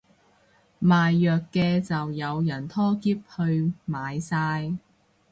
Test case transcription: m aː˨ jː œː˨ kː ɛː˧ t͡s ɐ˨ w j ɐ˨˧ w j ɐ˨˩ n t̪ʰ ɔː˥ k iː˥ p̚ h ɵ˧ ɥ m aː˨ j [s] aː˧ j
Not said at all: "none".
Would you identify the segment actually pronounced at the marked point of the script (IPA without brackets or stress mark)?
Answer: s